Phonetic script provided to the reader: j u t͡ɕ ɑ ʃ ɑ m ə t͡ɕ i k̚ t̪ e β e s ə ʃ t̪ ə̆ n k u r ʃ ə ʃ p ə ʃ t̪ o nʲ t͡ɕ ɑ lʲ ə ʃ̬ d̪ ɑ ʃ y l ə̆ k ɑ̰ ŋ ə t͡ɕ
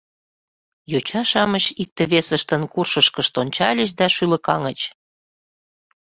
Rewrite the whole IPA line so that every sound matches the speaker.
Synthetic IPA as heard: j o t͡ɕ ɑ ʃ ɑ m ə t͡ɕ i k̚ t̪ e β e s ə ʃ t̪ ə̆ n k u r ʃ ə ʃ k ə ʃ t̪ o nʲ t͡ɕ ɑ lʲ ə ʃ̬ d̪ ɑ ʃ y l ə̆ k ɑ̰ ŋ ə t͡ɕ